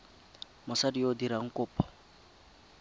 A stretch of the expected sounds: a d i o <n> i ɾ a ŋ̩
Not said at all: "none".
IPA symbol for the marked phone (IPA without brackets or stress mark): d